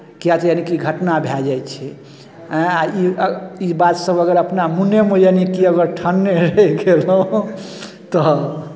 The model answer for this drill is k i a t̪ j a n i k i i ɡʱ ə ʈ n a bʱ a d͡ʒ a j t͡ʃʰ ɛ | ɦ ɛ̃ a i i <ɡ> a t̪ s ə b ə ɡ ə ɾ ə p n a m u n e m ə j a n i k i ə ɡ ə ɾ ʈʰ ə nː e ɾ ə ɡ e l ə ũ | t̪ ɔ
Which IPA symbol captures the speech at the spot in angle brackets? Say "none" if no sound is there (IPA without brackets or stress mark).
b